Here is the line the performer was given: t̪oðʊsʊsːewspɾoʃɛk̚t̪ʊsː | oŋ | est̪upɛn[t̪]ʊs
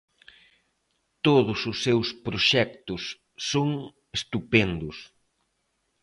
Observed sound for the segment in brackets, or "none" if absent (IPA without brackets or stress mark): d̪